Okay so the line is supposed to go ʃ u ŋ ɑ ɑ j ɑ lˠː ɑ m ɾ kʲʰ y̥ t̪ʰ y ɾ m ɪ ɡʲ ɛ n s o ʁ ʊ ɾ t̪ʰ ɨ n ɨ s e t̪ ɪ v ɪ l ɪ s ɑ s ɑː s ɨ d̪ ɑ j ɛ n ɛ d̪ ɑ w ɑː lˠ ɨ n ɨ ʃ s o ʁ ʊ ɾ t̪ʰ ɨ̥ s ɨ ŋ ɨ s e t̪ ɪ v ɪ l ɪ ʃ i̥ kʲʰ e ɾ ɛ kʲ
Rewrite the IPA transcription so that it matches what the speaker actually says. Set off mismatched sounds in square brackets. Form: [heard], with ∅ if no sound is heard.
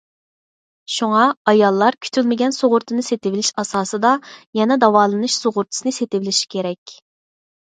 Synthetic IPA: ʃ u ŋ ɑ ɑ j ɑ lˠː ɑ [∅] ɾ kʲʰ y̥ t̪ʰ y [l] m ɪ ɡʲ ɛ n s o ʁ ʊ ɾ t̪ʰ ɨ n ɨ s e t̪ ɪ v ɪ l ɪ [ʃ] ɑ s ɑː s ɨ d̪ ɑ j ɛ n ɛ d̪ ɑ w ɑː lˠ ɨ n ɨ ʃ s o ʁ ʊ ɾ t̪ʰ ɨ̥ s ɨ [n] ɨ s e t̪ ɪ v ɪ l ɪ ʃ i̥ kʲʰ e ɾ ɛ kʲ